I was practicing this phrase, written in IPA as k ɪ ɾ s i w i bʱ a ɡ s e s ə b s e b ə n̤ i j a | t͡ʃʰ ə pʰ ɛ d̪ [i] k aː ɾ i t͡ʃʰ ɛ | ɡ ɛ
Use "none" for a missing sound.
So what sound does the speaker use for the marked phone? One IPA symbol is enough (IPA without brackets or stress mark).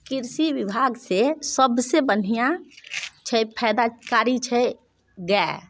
a